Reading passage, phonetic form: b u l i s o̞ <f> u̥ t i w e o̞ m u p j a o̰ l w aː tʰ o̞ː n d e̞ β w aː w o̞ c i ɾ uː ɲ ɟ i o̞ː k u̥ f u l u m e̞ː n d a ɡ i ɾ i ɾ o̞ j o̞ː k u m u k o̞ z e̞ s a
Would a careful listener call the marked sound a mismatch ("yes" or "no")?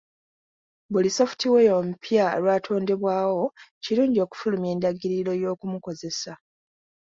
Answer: no